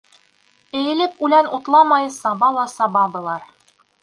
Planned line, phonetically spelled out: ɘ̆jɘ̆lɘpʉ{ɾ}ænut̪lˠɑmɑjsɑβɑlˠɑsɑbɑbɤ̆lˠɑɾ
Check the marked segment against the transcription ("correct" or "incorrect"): incorrect